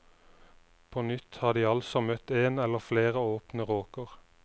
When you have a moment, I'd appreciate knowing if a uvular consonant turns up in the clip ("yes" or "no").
yes